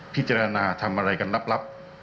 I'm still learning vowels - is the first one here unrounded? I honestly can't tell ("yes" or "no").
yes